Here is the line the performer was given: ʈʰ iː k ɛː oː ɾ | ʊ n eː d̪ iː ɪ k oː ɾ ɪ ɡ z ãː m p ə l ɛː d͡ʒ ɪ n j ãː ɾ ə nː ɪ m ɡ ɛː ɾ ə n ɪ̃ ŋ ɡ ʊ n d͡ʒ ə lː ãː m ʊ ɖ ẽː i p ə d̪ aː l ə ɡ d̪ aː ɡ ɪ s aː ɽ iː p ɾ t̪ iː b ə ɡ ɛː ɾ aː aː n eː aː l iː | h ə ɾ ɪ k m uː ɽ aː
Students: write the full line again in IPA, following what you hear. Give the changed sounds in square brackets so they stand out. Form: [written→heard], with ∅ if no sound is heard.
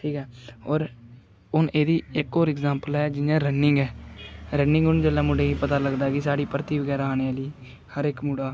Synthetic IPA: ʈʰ iː k ɛː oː ɾ | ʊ n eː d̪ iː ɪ k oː ɾ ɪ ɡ z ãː m p ə l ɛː d͡ʒ ɪ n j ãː ɾ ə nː ɪ [m→ŋ] ɡ ɛː ɾ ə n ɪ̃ ŋ ɡ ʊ n d͡ʒ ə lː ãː m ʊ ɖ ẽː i p ə [d̪→t̪] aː l ə ɡ d̪ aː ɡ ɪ s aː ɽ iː p ɾ t̪ iː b ə ɡ ɛː ɾ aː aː n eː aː l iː | h ə ɾ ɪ k m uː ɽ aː